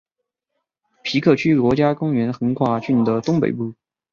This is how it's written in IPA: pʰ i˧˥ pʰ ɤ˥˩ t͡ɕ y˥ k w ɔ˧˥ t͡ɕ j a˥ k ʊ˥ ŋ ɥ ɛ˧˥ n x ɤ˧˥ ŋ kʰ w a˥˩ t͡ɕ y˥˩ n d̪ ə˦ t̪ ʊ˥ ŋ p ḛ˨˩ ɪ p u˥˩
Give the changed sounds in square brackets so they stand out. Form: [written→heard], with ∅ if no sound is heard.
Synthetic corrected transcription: pʰ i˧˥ [pʰ→kʰ] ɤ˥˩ [t͡ɕ→t͡ɕʰ] y˥ k w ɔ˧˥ t͡ɕ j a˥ k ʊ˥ ŋ ɥ ɛ˧˥ n x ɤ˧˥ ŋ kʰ w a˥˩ t͡ɕ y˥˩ n d̪ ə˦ t̪ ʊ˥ ŋ p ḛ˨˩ ɪ p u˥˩